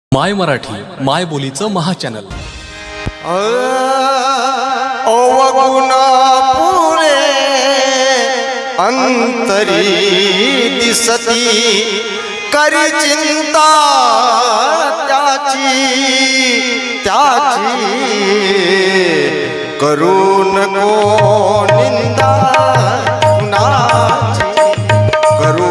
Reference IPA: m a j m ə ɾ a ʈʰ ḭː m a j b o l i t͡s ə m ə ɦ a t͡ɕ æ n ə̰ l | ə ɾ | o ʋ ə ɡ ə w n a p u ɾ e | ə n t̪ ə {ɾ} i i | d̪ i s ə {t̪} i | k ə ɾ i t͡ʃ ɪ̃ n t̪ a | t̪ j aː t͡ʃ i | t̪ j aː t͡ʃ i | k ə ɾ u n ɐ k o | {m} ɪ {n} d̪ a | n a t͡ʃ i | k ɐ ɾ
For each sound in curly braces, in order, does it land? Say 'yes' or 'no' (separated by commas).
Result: yes, yes, no, yes